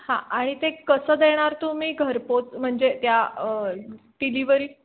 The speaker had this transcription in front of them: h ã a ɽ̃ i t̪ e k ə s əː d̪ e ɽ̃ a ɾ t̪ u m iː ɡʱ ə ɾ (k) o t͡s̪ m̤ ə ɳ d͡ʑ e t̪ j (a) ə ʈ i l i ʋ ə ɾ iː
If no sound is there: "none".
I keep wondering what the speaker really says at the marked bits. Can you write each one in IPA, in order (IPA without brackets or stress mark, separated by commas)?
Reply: p, a